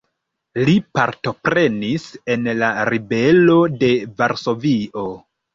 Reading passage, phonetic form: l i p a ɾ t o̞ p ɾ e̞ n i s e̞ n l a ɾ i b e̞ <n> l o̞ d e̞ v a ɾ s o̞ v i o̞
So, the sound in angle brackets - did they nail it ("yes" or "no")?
no